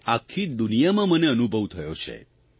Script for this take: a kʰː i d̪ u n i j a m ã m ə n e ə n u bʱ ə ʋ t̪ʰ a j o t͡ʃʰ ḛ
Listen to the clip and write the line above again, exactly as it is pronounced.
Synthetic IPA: a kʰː i d̪ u n i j a m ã m ə n e ə n u bʱ ə ʋ t̪ʰ ə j o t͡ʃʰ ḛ

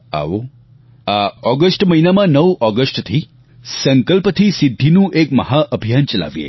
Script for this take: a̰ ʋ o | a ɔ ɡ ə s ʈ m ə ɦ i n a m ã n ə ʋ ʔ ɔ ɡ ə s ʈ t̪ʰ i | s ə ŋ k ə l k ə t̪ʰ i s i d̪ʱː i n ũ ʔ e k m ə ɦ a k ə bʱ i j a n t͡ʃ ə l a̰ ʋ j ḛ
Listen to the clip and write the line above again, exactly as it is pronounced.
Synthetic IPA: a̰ ʋ o | a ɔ ɡ ə s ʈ m ə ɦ i n a m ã n ə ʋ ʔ ɔ ɡ ə s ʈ t̪ʰ i | s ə ŋ k ə l p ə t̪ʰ i s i d̪ʱː i n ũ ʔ e k m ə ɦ a ʔ ə bʱ i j a n t͡ʃ ə l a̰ ʋ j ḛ

